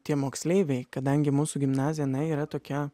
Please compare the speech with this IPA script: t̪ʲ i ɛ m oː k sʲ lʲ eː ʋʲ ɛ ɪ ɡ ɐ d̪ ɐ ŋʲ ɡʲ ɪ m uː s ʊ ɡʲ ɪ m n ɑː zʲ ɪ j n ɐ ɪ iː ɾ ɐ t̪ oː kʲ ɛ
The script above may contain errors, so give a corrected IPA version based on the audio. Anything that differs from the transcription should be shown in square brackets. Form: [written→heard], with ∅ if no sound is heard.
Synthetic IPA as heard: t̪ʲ i ɛ m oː k sʲ lʲ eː ʋʲ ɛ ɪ [ɡ→k] ɐ d̪ ɐ ŋʲ ɡʲ ɪ m uː s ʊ ɡʲ ɪ m n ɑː zʲ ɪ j n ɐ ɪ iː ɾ ɐ t̪ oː kʲ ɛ